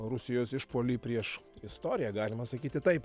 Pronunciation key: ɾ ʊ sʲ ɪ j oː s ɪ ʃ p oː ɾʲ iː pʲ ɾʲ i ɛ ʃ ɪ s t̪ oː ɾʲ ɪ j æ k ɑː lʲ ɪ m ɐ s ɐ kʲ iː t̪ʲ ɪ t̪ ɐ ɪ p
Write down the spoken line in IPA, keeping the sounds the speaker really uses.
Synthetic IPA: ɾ ʊ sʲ ɪ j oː s ɪ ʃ p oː lʲ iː pʲ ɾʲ i ɛ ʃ ɪ s t̪ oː ɾʲ ɪ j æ ɡ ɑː lʲ ɪ m ɐ s ɐ kʲ iː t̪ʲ ɪ t̪ ɐ ɪ p

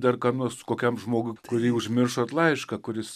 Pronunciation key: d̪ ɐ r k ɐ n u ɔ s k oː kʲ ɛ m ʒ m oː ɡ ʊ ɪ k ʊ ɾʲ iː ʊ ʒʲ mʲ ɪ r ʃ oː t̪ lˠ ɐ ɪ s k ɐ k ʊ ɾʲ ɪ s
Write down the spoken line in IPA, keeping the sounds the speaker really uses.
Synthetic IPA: d̪ ɐ r k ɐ n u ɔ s k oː kʲ ɛ m ʒ m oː ɡ ʊ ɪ k ʊ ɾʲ iː ʊ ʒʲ mʲ ɪ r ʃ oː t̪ lˠ ɐ ɪ ʃ k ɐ k ʊ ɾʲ ɪ s

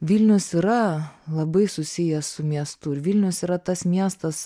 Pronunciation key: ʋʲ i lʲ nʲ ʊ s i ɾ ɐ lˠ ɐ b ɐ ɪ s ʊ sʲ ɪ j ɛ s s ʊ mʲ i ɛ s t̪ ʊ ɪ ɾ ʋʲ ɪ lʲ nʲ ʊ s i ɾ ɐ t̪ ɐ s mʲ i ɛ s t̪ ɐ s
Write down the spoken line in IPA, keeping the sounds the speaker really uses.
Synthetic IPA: ʋʲ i lʲ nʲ ʊ s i ɾ ɐ lˠ ɐ b ɐ ɪ s ʊ sʲ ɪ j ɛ s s ʊ mʲ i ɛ s t̪ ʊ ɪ ɾ ʋʲ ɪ lʲ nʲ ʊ s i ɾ ɐ t̪ ɐ s mʲ i ɛ s t̪ ɐ s

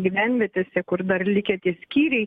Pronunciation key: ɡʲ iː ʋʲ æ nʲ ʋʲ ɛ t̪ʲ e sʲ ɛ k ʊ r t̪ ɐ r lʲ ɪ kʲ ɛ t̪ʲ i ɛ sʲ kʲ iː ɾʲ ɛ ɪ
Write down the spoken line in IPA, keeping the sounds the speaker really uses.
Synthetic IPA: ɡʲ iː ʋʲ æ nʲ ʋʲ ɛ t̪ʲ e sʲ ɛ k ʊ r d̪ ɐ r lʲ ɪ kʲ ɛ t̪ʲ i ɛ sʲ kʲ iː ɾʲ ɛ ɪ

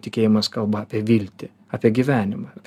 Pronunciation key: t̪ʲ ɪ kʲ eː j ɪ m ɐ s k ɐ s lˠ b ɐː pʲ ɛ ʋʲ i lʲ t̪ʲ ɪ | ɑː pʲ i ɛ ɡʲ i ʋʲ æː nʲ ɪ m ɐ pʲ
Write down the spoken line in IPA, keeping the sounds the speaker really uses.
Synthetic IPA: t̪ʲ ɪ kʲ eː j ɪ m ɐ s k ɐ lˠ b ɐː pʲ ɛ ʋʲ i lʲ t̪ʲ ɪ | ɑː pʲ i ɛ ɡʲ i ʋʲ æː nʲ ɪ m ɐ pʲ

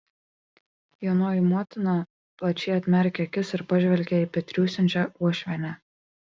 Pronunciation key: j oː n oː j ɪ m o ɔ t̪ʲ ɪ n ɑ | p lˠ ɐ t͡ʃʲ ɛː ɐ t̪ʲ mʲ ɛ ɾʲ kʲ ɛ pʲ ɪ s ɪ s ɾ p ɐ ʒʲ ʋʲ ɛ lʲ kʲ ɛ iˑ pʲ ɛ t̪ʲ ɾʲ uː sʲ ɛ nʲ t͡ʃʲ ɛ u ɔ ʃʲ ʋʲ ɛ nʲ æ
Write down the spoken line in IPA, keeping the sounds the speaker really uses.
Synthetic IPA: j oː n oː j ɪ m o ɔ t̪ʲ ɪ n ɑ | p lˠ ɐ t͡ʃʲ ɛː ɐ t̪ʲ mʲ ɛ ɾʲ kʲ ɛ kʲ ɪ s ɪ ɾ p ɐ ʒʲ ʋʲ ɛ lʲ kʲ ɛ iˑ pʲ ɛ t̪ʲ ɾʲ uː sʲ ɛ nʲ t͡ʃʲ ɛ u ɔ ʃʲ ʋʲ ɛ nʲ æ

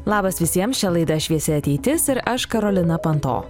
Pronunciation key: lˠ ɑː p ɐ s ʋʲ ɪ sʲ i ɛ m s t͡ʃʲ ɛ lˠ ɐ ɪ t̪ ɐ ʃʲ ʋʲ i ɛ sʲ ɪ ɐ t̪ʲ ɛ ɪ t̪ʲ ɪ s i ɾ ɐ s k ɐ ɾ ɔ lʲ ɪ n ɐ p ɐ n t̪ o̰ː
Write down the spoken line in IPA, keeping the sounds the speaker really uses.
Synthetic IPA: lˠ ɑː b ɐ s ʋʲ ɪ sʲ i ɛ m s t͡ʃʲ ɛ lˠ ɐ ɪ d̪ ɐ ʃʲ ʋʲ i ɛ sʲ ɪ ɐ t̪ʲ ɛ ɪ t̪ʲ ɪ s ɪ ɾ ɐ ʃ k ɐ ɾ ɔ lʲ ɪ n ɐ p ɐ n t̪ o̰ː

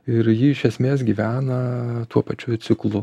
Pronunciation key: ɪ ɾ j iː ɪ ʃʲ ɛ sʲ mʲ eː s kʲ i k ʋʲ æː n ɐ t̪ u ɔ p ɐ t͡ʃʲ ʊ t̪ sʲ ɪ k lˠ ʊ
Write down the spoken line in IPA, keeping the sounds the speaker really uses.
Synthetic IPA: ɪ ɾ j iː ɪ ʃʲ ɛ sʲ mʲ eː s ɡʲ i ʋʲ æː n ɐ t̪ u ɔ p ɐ t͡ʃʲ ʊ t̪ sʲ ɪ k lˠ ʊ

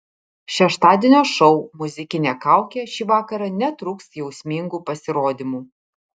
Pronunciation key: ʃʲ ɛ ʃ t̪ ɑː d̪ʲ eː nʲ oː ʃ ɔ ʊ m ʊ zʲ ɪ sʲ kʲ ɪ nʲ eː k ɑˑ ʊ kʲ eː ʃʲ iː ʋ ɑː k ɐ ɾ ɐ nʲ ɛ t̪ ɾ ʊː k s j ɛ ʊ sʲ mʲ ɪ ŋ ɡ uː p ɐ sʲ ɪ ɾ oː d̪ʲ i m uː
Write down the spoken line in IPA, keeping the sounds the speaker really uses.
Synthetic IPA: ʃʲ ɛ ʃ t̪ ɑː d̪ʲ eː nʲ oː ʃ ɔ ʊ m ʊ zʲ ɪ kʲ ɪ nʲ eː k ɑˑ ʊ kʲ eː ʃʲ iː ʋ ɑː k ɐ ɾ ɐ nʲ ɛ t̪ ɾ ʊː k s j ɛ ʊ sʲ mʲ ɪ ŋ ɡ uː p ɐ sʲ ɪ ɾ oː d̪ʲ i m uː

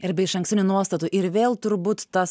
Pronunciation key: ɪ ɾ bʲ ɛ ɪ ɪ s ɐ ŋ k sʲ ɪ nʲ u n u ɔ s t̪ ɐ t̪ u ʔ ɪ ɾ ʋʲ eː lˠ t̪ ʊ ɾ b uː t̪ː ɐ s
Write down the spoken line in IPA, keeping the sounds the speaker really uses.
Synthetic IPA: ɪ ɾ bʲ ɛ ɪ ɪ ʃ ɐ ŋ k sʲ ɪ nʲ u n u ɔ s t̪ ɐ t̪ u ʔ ɪ ɾ ʋʲ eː lˠ t̪ ʊ ɾ b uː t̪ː ɐ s

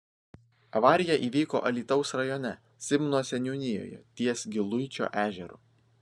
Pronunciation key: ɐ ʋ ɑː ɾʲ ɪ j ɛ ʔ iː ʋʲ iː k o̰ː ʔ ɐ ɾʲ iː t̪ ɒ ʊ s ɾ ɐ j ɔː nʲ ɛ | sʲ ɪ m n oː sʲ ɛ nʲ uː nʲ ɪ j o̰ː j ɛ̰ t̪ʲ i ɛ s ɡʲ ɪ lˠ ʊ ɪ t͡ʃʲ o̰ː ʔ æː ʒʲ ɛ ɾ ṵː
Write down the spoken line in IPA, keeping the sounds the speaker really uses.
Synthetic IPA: ɐ ʋ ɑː ɾʲ ɪ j ɛ ʔ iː ʋʲ iː k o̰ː ʔ ɐ lʲ iː t̪ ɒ ʊ s ɾ ɐ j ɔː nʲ ɛ | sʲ ɪ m n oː sʲ ɛ nʲ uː nʲ ɪ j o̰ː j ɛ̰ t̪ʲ i ɛ s ɡʲ ɪ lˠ ʊ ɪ t͡ʃʲ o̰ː ʔ æː ʒʲ ɛ ɾ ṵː

